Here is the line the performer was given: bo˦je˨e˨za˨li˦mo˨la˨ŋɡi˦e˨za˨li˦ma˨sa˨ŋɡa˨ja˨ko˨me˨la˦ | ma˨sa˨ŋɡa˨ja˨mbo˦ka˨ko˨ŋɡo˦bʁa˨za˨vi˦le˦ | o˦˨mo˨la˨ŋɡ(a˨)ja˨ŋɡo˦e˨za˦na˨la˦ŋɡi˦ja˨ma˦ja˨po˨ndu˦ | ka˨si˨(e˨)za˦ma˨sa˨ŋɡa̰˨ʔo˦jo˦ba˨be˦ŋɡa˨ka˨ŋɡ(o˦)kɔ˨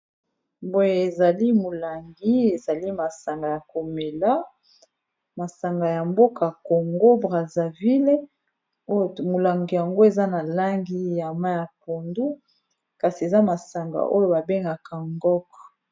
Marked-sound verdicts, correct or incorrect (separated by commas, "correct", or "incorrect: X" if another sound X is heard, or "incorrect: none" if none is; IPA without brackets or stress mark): incorrect: i˨, correct, incorrect: ɔ˦